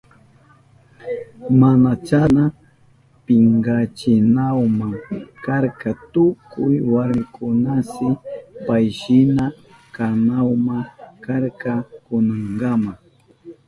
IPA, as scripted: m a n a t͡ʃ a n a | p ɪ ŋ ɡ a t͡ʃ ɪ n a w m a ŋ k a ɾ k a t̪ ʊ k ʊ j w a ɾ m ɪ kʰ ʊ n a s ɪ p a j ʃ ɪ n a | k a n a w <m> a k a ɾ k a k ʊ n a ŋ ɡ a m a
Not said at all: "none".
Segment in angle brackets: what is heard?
m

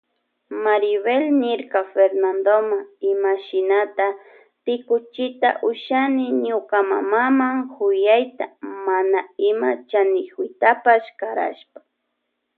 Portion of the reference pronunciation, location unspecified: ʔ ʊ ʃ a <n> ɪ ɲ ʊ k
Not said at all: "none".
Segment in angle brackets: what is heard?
n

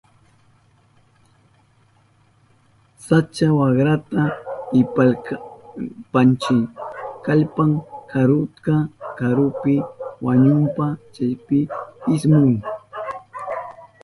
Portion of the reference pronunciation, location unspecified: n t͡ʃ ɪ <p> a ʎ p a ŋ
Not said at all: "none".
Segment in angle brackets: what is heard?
k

